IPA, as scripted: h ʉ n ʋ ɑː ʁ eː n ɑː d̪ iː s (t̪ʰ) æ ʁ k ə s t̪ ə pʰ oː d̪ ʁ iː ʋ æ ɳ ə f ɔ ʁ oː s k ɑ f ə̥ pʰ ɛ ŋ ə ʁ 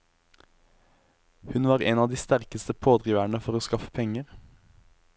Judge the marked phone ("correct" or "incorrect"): incorrect